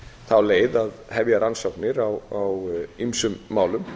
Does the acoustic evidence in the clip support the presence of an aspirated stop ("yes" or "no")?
no